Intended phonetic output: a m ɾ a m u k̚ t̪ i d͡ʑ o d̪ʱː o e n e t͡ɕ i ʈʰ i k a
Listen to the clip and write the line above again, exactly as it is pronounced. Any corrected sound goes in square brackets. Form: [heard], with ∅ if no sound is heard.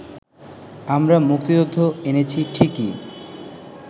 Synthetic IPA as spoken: a m ɾ a m u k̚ t̪ i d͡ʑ o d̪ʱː o e n e [t͡ɕʰ] i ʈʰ i k [i]